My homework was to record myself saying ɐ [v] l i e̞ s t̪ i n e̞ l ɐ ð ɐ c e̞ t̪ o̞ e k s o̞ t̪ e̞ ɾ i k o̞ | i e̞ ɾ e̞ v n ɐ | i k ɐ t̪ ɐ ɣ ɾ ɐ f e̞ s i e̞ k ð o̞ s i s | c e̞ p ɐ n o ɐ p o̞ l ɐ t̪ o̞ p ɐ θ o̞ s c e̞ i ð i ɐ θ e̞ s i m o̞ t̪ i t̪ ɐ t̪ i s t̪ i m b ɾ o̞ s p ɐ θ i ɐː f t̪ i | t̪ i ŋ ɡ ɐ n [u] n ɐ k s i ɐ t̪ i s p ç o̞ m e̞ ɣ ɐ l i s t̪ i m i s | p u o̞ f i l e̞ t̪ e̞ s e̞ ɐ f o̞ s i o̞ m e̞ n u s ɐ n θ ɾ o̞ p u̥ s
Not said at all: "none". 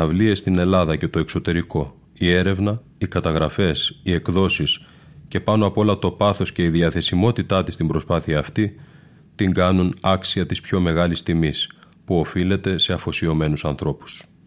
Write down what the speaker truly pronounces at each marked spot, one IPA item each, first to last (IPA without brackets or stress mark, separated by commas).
v, u